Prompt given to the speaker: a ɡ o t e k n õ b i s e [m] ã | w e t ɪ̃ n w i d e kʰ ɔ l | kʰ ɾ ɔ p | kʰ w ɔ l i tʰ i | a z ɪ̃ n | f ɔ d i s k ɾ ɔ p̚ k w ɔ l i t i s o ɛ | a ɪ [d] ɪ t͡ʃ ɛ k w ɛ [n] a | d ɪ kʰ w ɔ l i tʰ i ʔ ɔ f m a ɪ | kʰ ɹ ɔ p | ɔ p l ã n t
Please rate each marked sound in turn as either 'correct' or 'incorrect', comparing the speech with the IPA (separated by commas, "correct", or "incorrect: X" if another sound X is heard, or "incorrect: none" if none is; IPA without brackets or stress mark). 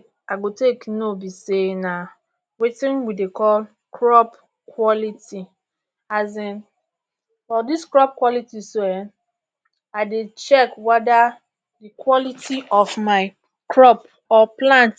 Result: incorrect: n, correct, incorrect: d